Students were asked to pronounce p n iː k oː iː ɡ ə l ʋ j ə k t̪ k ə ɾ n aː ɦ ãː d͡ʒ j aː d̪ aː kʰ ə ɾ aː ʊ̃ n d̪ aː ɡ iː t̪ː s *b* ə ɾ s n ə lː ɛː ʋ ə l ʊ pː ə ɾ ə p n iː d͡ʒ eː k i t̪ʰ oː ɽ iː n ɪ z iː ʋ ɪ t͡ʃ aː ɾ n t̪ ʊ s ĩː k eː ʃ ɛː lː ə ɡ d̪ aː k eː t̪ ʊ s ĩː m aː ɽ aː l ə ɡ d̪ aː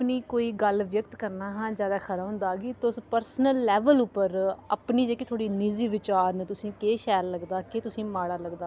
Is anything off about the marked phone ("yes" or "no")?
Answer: yes